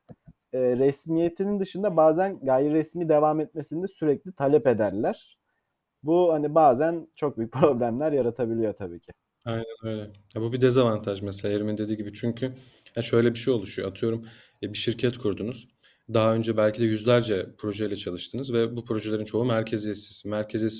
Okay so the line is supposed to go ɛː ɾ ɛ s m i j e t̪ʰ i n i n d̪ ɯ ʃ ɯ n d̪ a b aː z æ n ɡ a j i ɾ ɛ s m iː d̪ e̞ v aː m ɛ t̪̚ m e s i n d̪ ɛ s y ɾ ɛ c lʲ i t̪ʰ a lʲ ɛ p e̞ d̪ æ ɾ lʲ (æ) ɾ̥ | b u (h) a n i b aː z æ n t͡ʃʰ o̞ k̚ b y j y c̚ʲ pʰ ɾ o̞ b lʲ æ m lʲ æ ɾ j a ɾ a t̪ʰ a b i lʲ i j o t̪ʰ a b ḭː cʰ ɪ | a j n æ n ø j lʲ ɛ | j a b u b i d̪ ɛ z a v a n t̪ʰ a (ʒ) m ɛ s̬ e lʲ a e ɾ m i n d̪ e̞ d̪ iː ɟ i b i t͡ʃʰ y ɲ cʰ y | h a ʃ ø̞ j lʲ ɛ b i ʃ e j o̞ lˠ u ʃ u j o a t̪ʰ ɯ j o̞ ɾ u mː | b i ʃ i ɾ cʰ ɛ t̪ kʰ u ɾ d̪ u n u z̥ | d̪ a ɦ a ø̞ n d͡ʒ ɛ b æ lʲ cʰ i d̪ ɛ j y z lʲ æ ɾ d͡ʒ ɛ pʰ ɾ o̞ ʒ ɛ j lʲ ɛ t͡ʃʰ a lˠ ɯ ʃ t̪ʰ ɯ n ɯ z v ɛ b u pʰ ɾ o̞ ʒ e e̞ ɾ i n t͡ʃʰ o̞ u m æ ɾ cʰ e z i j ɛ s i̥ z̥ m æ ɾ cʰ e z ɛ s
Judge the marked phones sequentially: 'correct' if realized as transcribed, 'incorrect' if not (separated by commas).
correct, correct, correct